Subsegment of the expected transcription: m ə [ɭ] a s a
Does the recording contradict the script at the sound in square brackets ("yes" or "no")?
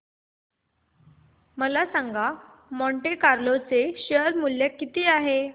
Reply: yes